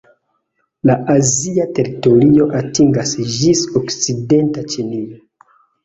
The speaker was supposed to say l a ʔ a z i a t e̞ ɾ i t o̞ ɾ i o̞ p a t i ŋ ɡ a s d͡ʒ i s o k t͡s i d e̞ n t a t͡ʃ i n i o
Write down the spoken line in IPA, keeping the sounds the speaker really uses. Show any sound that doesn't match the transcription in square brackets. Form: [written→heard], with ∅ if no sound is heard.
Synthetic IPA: l a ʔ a z i a t e̞ ɾ i t o̞ ɾ i o̞ [p→ʔ] a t i ŋ ɡ a s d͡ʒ i s o k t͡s i d e̞ n t a t͡ʃ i n i o